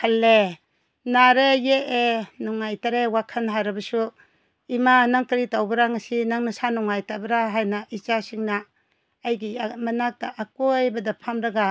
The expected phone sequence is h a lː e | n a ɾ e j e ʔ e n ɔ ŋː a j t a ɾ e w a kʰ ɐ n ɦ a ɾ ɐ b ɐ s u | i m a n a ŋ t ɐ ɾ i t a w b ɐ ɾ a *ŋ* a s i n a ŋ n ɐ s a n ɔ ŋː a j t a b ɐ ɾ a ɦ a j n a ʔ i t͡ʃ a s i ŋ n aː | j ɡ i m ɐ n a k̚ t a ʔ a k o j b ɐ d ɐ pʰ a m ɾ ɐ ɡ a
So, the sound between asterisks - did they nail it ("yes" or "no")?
yes